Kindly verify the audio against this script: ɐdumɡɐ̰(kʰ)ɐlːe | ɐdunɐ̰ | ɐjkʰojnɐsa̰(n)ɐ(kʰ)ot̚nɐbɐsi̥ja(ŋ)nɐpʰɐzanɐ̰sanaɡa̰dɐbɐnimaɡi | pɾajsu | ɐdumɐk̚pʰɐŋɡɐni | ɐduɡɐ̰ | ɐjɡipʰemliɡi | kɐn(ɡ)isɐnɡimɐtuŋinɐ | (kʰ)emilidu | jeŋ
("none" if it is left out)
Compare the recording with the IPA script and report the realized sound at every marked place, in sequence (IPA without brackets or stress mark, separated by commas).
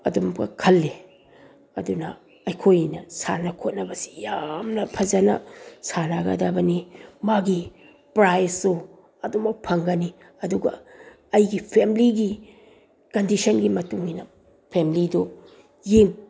kʰ, n, kʰ, m, d, pʰ